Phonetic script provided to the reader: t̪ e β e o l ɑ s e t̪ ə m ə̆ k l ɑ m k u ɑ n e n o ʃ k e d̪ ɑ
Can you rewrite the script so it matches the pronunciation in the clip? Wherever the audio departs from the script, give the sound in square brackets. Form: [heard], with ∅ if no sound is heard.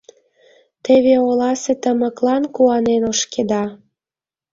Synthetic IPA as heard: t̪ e β e o l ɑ s e t̪ ə m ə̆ k l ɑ [n] k u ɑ n e n o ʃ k e d̪ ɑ